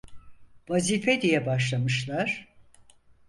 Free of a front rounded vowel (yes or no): yes